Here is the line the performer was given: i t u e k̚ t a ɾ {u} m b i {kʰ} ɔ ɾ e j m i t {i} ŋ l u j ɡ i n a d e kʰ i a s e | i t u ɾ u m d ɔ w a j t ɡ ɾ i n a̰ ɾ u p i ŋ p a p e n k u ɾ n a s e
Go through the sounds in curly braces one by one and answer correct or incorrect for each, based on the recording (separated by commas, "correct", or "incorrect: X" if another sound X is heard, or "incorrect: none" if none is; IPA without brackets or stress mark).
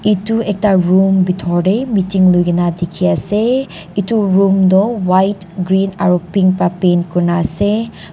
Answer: correct, incorrect: tʰ, correct